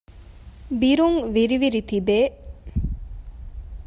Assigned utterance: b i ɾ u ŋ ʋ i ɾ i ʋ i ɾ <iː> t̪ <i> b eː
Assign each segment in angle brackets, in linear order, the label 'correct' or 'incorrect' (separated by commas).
incorrect, correct